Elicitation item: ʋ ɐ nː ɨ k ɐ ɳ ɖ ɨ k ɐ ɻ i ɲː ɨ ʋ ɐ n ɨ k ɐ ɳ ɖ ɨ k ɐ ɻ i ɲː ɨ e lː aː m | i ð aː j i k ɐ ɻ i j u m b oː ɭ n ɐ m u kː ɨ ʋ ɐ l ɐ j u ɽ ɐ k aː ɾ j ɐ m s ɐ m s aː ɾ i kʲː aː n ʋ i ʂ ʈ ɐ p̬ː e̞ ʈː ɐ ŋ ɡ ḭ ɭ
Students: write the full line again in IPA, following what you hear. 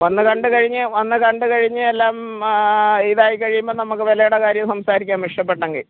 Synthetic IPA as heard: ʋ ɐ nː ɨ k ɐ ɳ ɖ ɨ k ɐ ɻ i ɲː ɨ ʋ ɐ nː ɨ k ɐ ɳ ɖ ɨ k ɐ ɻ i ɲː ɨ e lː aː m | i ð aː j i k ɐ ɻ i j u m b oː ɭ n ɐ m u kː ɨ ʋ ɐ l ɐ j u ɽ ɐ k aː ɾ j ɐ m s ɐ m s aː ɾ i kʲː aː n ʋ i ʂ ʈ ɐ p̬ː e̞ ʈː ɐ ŋ ɡ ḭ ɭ